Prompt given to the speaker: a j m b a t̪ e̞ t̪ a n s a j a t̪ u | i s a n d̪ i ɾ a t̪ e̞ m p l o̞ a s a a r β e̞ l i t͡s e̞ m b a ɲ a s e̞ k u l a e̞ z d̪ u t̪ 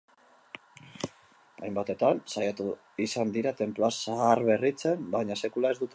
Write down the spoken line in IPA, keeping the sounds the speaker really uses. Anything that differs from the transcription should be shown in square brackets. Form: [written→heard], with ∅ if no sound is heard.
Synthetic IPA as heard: a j m b a t̪ e̞ t̪ a n s a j a t̪ u | i s a n d̪ i ɾ a t̪ e̞ m p l o̞ a s a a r β e̞ [l→r] i t͡s e̞ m b a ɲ a s e̞ k u l a e̞ z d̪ u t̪